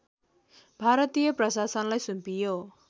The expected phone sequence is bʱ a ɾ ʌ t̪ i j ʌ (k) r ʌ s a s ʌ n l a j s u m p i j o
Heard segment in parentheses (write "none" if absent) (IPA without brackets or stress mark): p